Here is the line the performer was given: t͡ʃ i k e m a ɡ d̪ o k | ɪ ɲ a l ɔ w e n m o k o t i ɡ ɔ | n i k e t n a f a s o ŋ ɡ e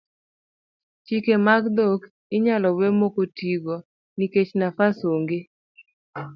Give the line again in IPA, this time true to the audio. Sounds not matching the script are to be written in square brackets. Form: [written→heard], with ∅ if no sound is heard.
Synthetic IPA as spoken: t͡ʃ i k e m a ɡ d̪ o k | ɪ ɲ a l ɔ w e [n→∅] m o k o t i ɡ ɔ | n i k e [t→t͡ʃ] n a f a s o ŋ ɡ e